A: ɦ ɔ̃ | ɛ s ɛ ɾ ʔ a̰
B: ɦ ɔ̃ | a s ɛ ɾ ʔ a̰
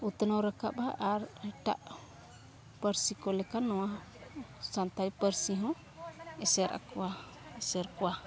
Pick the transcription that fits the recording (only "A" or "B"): A